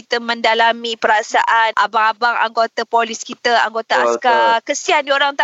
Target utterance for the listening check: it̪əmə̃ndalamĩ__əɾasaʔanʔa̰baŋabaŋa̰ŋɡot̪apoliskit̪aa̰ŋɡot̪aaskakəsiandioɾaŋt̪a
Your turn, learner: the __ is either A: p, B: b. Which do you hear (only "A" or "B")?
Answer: A